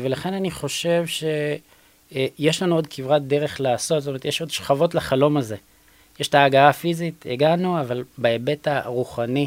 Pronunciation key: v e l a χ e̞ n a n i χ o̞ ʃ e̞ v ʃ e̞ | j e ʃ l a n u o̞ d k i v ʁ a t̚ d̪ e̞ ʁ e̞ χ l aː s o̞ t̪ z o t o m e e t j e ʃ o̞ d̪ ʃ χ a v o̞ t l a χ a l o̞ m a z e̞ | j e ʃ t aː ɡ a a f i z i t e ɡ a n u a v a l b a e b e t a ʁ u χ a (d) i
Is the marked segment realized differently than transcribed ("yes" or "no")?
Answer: yes